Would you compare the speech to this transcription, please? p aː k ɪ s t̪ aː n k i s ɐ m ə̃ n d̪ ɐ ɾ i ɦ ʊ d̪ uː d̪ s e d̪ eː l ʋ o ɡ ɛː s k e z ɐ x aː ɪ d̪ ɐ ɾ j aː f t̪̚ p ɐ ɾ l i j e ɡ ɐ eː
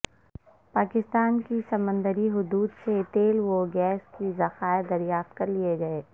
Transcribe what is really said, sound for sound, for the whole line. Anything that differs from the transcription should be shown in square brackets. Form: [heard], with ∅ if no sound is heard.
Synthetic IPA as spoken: p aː k ɪ s t̪ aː n k i s ɐ m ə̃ n d̪ [ə] ɾ i ɦ ʊ d̪ uː d̪ s e [t̪] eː l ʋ o ɡ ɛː s k [i] z ɐ x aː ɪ d̪ ɐ ɾ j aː f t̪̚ [k] ɐ ɾ l i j e ɡ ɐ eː